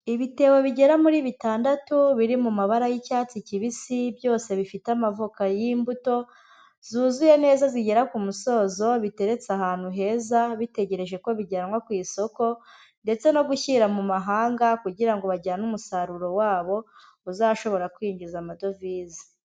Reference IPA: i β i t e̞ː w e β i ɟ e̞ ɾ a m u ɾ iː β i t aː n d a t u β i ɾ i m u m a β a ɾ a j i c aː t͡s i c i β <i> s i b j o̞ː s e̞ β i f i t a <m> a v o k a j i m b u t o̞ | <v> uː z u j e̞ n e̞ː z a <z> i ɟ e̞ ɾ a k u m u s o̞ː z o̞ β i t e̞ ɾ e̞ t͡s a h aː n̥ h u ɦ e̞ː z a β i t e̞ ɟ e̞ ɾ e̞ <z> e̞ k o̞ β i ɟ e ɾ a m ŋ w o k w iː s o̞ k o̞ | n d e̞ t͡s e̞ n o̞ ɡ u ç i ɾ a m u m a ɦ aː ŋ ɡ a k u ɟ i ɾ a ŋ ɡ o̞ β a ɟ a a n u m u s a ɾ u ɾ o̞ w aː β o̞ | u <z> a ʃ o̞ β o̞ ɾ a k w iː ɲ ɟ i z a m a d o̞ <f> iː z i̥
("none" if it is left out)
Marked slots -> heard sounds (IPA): i, m, z, z, ʒ, z, v

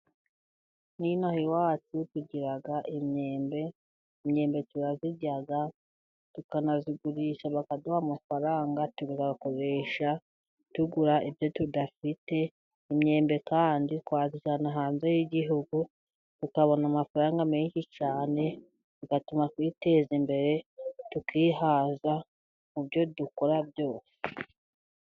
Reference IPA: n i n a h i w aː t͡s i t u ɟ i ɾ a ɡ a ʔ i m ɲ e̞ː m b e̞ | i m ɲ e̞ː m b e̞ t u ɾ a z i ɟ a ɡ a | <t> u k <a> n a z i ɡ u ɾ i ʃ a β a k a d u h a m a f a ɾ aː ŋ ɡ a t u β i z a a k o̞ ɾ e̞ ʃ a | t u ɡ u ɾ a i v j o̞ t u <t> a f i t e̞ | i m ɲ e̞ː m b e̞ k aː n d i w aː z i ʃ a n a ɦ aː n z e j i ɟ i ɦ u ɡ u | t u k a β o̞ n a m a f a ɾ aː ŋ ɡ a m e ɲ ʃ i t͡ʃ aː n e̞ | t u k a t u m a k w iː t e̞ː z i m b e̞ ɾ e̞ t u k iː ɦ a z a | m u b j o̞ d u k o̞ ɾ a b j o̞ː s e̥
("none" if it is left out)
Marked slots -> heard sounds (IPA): t, a, d

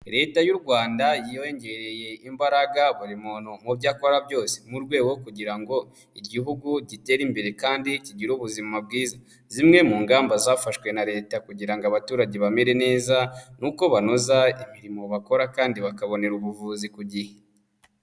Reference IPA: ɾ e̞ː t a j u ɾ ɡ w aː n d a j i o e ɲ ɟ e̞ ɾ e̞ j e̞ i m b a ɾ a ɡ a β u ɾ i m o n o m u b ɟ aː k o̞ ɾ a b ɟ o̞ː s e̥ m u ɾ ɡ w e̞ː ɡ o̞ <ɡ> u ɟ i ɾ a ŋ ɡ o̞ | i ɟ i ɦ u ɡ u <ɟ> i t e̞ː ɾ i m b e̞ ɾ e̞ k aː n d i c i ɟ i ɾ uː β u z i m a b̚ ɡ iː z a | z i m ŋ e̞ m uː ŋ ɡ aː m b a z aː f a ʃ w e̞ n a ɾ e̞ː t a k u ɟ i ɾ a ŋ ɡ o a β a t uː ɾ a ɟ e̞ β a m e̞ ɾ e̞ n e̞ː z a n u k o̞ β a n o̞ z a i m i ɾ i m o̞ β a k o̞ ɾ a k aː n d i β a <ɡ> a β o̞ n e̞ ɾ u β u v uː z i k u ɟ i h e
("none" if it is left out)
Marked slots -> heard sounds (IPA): k, ɟ, k

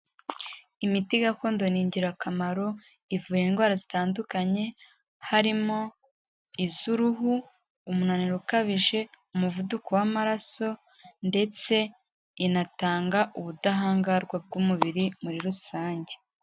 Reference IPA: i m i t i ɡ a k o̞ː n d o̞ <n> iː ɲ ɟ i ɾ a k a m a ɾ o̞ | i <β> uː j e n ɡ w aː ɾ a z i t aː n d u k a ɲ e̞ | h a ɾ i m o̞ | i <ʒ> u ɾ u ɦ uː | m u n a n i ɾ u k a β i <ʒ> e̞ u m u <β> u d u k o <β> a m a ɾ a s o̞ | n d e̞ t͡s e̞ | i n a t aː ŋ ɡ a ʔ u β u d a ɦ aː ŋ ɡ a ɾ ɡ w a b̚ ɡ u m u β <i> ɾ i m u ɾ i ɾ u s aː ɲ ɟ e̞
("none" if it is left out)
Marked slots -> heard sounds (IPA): n, v, z, ʒ, v, w, i

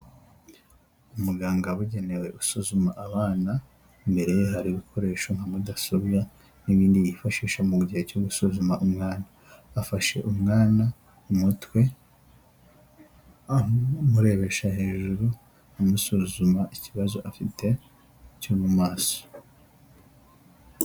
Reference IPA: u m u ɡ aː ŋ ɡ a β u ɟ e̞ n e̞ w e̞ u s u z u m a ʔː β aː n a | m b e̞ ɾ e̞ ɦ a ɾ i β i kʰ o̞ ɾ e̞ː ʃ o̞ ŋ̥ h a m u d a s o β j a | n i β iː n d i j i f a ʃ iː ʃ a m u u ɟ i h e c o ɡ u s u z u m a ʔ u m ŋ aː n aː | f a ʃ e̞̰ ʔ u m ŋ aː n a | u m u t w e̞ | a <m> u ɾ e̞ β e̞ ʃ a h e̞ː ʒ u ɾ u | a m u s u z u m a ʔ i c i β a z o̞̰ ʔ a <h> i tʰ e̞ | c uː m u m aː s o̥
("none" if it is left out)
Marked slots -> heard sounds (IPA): m, f

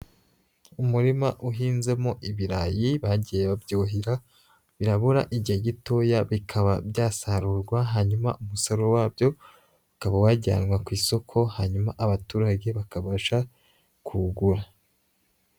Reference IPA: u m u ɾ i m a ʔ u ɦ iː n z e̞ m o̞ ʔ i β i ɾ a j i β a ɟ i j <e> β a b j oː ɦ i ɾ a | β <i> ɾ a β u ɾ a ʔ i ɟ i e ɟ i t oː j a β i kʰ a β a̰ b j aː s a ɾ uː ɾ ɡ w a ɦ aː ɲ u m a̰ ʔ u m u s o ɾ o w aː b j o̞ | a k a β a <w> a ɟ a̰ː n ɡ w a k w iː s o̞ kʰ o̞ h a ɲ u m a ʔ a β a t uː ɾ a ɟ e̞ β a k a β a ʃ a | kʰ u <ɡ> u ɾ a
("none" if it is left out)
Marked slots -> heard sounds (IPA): e, i, w, ɡ

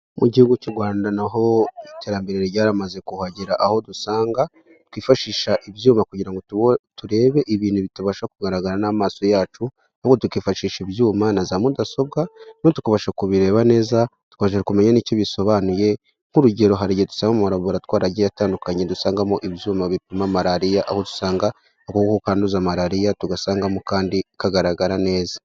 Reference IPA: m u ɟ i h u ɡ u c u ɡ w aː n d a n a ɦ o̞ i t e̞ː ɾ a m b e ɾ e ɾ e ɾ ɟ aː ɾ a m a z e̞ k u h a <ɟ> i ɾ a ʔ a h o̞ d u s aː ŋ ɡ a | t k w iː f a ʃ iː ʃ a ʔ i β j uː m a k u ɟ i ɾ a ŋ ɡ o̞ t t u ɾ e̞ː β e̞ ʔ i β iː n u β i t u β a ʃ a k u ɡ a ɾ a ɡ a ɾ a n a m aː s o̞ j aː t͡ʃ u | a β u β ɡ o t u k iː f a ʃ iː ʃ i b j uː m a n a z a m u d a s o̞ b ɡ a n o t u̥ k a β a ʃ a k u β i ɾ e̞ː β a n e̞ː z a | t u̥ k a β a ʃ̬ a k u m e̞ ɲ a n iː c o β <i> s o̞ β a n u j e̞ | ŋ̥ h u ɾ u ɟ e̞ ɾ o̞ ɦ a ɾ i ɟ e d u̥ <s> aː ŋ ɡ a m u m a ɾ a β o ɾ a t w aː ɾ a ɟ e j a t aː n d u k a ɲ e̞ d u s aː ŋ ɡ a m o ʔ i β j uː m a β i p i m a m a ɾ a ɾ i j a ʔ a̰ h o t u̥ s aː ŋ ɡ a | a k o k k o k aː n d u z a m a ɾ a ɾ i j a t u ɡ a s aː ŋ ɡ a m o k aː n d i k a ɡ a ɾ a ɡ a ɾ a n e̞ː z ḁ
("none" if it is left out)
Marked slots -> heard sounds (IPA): ɟ, i, s

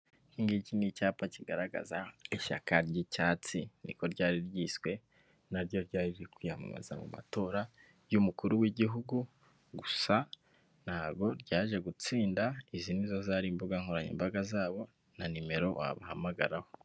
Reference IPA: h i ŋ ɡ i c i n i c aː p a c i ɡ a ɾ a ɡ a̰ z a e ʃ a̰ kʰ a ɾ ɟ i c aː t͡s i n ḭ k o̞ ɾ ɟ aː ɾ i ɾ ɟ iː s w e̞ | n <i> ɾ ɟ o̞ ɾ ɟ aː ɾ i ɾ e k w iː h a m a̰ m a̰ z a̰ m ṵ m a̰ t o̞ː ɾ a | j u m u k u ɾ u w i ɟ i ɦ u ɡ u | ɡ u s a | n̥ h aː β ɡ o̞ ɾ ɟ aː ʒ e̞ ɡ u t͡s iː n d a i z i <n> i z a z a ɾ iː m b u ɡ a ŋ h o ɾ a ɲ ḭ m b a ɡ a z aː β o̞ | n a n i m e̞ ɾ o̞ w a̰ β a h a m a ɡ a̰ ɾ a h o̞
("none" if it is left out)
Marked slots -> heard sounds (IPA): a, n

